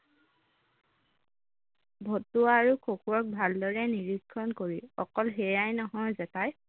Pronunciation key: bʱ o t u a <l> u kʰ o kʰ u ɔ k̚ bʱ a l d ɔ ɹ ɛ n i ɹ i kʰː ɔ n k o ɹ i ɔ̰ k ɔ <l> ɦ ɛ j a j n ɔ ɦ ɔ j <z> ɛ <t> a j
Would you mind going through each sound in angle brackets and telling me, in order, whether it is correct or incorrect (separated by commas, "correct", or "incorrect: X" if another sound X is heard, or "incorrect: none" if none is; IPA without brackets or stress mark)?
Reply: incorrect: ɹ, correct, correct, correct